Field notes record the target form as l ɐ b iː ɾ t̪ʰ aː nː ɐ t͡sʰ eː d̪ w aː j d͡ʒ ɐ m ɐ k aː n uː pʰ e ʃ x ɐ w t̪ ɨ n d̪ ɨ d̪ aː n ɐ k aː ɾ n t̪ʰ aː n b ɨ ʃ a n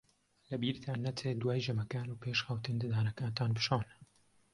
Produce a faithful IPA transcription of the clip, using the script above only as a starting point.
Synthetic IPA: l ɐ b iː ɾ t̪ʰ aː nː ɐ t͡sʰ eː d̪ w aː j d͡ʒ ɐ m ɐ k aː n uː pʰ e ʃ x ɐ w t̪ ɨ n d̪ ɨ d̪ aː n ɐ k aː n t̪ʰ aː n b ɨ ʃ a n